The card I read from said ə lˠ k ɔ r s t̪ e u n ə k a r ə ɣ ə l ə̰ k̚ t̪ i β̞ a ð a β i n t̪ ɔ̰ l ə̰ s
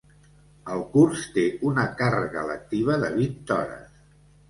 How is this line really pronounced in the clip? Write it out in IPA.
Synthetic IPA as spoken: ə lˠ k u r s t̪ e u n ə k a r ə ɣ ə l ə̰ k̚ t̪ i β̞ ə ð ə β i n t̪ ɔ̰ ɾ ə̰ s

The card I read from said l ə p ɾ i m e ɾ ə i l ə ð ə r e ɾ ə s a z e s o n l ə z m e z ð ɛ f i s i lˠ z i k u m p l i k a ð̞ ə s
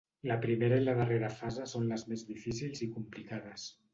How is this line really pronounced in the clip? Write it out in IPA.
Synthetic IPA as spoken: l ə p ɾ i m e ɾ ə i l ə ð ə r e ɾ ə f a z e s o n l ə z m e z ð i f i s i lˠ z i k u m p l i k a ð̞ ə s

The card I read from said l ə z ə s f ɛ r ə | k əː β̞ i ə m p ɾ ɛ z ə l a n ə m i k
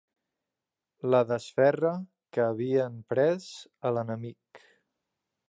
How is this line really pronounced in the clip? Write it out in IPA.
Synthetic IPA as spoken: l ə ð ə s f ɛ r ə | k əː β̞ i ə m p ɾ ɛ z ə l ə n ə m i k

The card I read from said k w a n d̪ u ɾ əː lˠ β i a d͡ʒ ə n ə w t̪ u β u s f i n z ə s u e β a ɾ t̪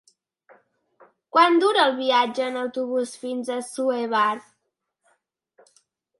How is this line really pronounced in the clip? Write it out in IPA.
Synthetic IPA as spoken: k w a n d̪ u ɾ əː lˠ β i a d͡ʒ əː n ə w t̪ u β u s f i n z ə s u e β a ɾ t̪

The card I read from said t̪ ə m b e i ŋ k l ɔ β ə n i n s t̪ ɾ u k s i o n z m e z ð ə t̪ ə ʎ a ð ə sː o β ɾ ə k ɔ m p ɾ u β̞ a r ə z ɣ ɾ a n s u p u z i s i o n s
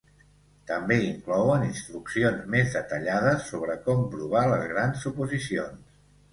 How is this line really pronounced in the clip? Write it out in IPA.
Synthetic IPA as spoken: t̪ ə m b e i ŋ k l ɔ w ə n i n s t̪ ɾ u k s i o n z m e z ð ə t̪ ə ʎ a ð ə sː o β ɾ ə k ɔ m p ɾ u β̞ a l ə z ɣ ɾ a n s u p u z i s i o n s

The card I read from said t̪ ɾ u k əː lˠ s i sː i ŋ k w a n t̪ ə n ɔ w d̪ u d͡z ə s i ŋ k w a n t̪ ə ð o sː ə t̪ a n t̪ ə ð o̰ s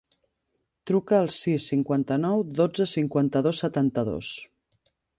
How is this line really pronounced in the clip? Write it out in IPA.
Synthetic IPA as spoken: t̪ ɾ u k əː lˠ s i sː i ŋ k w a n t̪ ə n ɔ w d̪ o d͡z ə s i ŋ k w a n t̪ ə ð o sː ə t̪ a n t̪ ə ð o̰ s

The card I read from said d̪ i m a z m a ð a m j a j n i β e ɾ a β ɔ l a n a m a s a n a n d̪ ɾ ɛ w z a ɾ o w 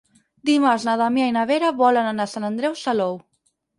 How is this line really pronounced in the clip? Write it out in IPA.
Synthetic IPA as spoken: d̪ i m a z n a ð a m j a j n a β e ɾ a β ɔ l a n a n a s a n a n d̪ ɾ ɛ w s a l o w

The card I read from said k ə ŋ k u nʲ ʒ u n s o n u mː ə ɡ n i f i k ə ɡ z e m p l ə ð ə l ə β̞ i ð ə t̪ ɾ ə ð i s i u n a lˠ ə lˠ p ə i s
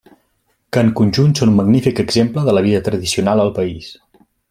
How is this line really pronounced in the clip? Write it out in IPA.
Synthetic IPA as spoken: k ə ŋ k u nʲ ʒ u n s o n u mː ə ɡ n i f i k ə ɡ z e m p l ə ð ə l ə β̞ i ð ə t̪ ɾ ə ð i s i u n a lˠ ə lˠ p ə i s

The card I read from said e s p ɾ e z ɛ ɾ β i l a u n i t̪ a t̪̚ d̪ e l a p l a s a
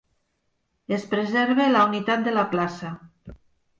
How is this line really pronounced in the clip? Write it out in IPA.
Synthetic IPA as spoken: e s p ɾ e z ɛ ɾ β e l a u n i t̪ a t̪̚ d̪ e l a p l a s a

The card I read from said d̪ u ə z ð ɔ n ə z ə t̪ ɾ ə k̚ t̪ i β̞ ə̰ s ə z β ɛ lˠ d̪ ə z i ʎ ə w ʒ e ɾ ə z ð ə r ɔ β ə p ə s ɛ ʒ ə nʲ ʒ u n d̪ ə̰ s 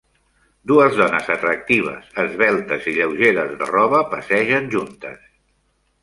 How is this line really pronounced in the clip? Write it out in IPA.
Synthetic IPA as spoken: d̪ u ə z ð ɔ n ə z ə t̪ ɾ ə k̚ t̪ i β̞ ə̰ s ə z β ɛ lˠ t̪ ə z i ʎ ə w ʒ e ɾ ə z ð ə r ɔ β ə p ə s ɛ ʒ ə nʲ ʒ u n t̪ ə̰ s

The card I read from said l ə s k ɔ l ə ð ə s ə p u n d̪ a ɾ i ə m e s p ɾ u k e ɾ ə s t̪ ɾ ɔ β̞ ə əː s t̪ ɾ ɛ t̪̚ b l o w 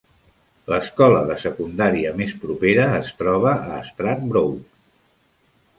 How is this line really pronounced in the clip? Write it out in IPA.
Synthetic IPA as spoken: l ə s k ɔ l ə ð ə s ə k u n d̪ a ɾ i ə m e s p ɾ u p e ɾ əː s t̪ ɾ ɔ β̞ ə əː s t̪ ɾ a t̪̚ b ɾ o w

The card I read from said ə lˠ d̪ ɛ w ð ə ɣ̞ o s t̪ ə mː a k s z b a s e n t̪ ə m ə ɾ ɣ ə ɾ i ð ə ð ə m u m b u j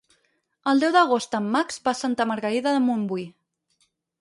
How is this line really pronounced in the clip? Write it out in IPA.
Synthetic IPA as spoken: ə lˠ d̪ ɛ w ð ə ɣ̞ o s t̪ ə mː a k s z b a s a n t̪ ə m ə ɾ ɣ ə ɾ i ð ə ð ə m u m b u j

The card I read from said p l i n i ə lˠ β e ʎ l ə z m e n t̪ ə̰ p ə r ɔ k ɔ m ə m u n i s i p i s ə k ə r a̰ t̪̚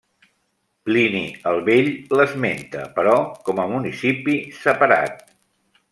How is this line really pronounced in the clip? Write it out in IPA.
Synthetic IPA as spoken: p l i n i ə lˠ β e ʎ l ə z m e n t̪ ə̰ p ə ɾ ɔ k ɔ m ə m u n i s i p i s ə p ə ɾ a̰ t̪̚

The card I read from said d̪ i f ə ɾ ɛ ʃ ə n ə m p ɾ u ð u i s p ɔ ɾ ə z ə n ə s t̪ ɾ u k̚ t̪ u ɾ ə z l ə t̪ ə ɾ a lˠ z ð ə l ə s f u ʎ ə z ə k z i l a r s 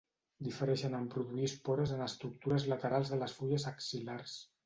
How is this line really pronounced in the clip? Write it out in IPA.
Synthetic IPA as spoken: d̪ i f ə ɾ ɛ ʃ ə n ə m p ɾ u ð u i s p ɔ ɾ ə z ə n ə s t̪ ɾ u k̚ t̪ u ɾ ə z l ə t̪ ə ɾ a lˠ z ð ə l ə s f u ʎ ə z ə k s i l a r s

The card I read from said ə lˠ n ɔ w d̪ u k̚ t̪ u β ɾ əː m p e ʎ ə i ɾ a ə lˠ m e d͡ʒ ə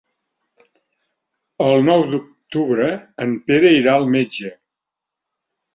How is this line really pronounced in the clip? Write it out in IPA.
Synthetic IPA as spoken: ə lˠ n ɔ w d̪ u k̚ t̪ u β ɾ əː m p e ɾ ə i ɾ a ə lˠ m e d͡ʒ ə

